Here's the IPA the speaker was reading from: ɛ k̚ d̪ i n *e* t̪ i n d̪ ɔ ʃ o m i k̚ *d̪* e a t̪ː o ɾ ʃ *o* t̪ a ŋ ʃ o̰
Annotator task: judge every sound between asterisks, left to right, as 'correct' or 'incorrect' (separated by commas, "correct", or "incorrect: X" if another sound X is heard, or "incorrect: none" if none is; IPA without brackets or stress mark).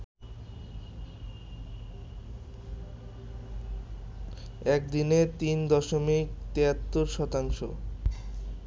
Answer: correct, incorrect: t̪, incorrect: ɔ